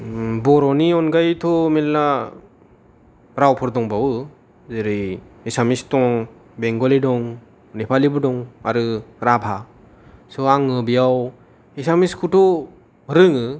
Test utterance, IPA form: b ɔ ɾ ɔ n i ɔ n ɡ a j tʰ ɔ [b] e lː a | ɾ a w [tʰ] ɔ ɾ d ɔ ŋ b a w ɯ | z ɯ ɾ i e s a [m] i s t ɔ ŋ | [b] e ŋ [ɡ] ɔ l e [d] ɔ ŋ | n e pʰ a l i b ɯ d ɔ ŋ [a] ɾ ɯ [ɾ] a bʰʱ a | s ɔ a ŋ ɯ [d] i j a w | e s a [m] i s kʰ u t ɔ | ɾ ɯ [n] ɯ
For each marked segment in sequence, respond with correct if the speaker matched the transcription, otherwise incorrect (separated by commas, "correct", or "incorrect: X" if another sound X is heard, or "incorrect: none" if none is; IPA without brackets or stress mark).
incorrect: m, incorrect: pʰ, correct, correct, correct, correct, correct, correct, incorrect: b, correct, incorrect: ŋ